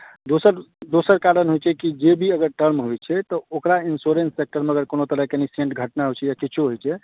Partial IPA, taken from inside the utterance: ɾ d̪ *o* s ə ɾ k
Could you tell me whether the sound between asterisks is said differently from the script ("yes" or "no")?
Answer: no